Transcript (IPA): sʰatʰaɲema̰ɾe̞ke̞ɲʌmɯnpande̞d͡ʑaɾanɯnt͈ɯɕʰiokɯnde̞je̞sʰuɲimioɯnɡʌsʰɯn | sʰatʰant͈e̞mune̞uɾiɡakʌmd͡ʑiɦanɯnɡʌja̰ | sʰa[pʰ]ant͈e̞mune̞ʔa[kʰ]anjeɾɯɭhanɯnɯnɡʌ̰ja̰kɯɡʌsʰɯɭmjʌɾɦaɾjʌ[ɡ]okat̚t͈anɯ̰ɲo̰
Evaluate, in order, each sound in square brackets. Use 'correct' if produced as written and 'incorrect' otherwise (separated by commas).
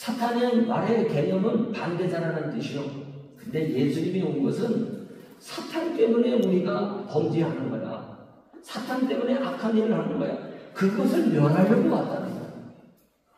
incorrect, correct, correct